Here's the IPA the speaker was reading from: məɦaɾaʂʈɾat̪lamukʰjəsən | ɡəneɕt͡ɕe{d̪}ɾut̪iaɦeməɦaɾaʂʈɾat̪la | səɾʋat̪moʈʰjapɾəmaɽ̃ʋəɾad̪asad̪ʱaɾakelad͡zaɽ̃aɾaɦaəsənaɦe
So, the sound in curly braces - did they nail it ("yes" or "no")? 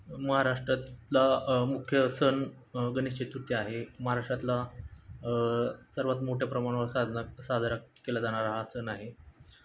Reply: no